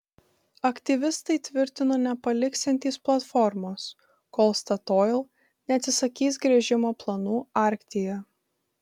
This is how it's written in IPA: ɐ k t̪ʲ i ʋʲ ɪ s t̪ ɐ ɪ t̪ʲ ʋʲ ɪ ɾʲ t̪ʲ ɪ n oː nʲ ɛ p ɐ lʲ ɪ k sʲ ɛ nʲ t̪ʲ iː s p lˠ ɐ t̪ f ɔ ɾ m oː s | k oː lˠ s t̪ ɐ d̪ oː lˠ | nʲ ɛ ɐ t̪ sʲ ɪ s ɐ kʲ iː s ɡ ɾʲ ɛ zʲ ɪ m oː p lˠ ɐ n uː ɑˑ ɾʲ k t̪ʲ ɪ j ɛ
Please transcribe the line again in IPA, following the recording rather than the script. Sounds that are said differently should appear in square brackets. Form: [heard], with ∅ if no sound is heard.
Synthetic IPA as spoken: ɐ k t̪ʲ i ʋʲ ɪ s t̪ ɐ ɪ t̪ʲ ʋʲ ɪ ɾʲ t̪ʲ ɪ n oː nʲ ɛ p ɐ lʲ ɪ k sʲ ɛ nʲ t̪ʲ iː s p lˠ ɐ t̪ f ɔ ɾ m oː s | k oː lˠ s t̪ ɐ [t̪] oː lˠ | nʲ ɛ ɐ t̪ sʲ ɪ s ɐ kʲ iː s ɡ ɾʲ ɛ [ʒʲ] ɪ m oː p lˠ ɐ n uː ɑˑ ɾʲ k t̪ʲ ɪ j ɛ